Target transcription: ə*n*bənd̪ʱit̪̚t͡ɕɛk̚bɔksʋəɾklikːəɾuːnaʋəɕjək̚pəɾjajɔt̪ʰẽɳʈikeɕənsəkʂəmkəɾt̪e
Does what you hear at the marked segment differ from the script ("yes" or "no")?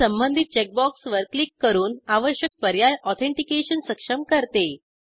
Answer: yes